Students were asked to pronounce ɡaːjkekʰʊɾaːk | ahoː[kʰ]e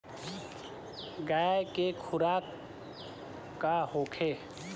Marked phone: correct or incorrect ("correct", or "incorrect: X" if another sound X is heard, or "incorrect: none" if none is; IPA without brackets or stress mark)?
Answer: correct